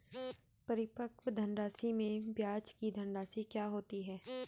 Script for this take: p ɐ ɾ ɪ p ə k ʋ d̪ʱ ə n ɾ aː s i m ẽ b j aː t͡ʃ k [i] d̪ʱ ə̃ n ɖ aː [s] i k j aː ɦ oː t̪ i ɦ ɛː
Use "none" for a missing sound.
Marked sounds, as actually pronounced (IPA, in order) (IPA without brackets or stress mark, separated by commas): i, s